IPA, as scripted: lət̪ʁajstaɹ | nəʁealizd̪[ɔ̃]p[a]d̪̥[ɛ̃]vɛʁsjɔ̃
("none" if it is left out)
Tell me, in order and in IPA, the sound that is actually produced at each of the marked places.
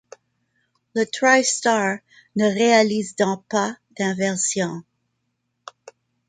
ɔ̃, a, ɛ̃

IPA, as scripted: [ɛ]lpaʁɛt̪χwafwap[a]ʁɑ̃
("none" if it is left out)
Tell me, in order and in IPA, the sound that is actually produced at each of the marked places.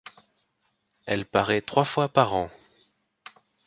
ɛ, a

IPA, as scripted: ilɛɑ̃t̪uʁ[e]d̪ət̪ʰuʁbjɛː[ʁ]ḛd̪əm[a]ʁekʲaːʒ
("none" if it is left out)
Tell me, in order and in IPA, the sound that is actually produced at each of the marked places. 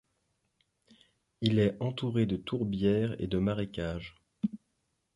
e, ʁ, a

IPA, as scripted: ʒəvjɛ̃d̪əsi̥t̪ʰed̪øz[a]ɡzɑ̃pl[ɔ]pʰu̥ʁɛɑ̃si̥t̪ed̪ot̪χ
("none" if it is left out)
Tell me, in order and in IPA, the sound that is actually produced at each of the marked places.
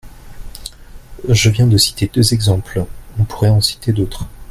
ɛ, ɔ̃

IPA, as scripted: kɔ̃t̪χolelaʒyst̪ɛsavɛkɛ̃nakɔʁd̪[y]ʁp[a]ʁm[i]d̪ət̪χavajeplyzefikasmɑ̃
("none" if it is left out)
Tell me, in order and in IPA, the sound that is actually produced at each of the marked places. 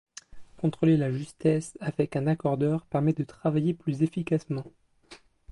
œ, ɛ, ɛ

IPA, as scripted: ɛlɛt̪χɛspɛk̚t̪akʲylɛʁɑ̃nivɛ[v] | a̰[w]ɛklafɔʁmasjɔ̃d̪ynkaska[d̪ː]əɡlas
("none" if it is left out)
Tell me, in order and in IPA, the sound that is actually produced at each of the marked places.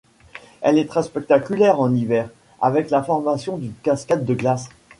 ʁ, v, d̪ː

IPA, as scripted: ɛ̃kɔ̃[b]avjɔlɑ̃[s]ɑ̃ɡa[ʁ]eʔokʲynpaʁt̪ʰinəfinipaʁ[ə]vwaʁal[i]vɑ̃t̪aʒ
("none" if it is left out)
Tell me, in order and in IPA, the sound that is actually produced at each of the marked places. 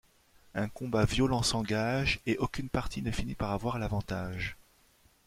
b, s, ʒ, a, a

